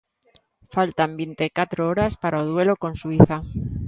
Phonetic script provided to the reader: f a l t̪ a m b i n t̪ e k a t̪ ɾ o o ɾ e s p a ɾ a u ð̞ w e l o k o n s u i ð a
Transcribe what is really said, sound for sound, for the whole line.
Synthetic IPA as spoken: f a l t̪ a m b i n t̪ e k a t̪ ɾ o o ɾ a s p a ɾ a o ð̞ w e l o k o n s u i θ a